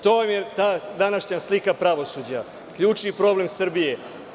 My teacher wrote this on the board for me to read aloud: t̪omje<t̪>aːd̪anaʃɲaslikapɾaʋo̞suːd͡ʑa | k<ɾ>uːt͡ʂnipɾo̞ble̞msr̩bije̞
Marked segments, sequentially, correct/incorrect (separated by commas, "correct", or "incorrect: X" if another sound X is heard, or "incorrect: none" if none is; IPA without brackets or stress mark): correct, incorrect: ʎ